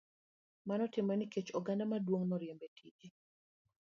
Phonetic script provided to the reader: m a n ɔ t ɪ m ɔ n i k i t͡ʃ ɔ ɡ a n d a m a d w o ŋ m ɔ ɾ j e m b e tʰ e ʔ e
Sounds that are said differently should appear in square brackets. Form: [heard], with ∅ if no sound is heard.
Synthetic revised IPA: m a n ɔ t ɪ m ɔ n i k [e] t͡ʃ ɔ ɡ a n d a m a d w o ŋ [n] ɔ ɾ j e m b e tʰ [i] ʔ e